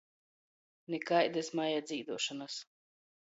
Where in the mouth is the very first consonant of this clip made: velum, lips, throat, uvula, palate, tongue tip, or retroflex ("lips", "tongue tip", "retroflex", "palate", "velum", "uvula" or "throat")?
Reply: tongue tip